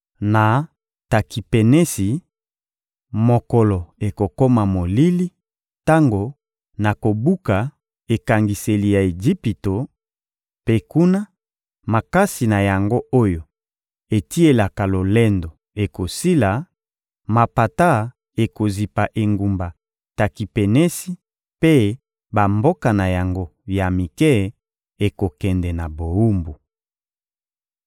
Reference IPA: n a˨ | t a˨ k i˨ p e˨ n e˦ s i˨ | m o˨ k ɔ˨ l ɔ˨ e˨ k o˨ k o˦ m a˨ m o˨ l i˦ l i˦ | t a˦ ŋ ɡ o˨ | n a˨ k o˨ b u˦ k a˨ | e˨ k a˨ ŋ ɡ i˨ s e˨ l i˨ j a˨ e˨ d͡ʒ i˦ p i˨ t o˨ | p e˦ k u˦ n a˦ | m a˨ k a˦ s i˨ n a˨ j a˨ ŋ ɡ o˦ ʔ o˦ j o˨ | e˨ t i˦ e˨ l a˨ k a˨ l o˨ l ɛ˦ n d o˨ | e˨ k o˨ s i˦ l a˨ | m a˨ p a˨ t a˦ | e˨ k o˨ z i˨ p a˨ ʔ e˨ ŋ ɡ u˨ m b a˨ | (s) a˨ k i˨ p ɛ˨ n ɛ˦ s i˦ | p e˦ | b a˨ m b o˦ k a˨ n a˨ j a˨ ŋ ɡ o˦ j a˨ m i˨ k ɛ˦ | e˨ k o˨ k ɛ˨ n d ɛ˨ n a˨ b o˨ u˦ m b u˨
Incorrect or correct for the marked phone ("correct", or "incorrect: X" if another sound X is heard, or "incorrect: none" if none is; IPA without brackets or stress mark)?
incorrect: t